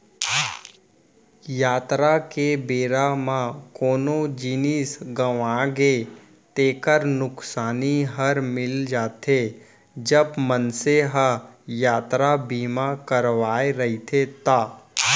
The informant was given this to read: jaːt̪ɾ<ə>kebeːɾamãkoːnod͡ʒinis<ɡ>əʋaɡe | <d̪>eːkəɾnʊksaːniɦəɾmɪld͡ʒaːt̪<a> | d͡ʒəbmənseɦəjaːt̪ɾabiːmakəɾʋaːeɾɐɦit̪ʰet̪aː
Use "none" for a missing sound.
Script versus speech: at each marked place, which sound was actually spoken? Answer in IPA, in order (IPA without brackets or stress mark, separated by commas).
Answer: a, ɡ, t̪, e